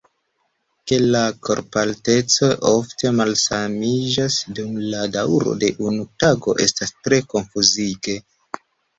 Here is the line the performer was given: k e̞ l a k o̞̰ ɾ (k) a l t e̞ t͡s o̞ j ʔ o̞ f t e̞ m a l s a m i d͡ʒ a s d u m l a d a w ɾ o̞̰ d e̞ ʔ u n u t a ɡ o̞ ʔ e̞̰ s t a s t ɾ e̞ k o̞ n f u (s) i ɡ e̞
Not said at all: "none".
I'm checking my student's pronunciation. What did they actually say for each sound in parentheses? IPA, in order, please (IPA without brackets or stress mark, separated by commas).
p, z